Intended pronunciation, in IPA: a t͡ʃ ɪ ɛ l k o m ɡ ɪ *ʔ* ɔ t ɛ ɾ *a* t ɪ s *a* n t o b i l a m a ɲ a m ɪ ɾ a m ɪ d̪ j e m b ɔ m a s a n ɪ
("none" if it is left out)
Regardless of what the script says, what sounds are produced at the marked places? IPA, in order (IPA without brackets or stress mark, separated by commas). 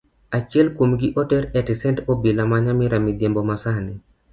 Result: ʔ, ɛ, ɛ